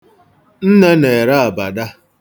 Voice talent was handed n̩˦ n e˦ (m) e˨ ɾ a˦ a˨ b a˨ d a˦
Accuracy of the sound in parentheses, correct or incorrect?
incorrect